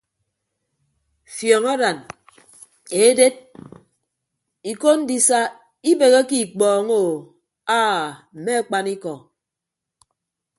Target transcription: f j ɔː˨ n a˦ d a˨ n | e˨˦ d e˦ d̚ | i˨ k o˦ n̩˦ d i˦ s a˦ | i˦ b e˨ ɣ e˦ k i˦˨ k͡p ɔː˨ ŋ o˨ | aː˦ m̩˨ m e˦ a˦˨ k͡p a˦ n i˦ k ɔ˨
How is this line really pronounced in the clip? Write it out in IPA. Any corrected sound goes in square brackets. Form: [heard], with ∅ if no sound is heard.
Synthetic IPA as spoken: f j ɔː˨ [ŋ] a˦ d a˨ n | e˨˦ d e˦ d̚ | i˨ k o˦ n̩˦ d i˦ s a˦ | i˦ b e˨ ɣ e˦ k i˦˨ k͡p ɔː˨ ŋ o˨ | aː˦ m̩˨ m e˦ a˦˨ k͡p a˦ n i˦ k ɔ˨